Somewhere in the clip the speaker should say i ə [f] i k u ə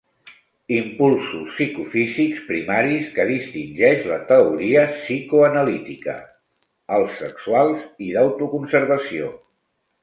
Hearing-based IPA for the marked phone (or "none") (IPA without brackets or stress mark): s